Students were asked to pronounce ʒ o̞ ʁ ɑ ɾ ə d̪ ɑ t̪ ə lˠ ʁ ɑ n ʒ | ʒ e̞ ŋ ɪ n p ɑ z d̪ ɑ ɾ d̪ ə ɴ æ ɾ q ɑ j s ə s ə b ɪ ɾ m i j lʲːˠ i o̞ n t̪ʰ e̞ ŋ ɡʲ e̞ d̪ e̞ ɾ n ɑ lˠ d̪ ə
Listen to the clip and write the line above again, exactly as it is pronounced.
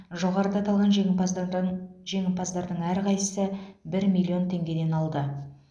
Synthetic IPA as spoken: ʒ o̞ ʁ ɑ ɾ ə d̪ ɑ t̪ ɑ lˠ ʁ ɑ n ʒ | ʒ e̞ ŋ ɪ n p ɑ z d̪ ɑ ɾ d̪ ə ɴ æ ɾ q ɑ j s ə s ə b ɪ ɾ m i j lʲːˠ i o̞ n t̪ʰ e̞ ŋ ɡʲ e̞ d̪ e̞ n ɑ lˠ d̪ ə